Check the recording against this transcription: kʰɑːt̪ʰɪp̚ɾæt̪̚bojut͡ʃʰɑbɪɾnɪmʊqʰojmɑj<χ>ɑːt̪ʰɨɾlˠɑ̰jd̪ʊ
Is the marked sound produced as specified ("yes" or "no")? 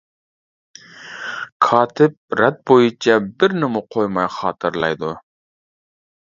yes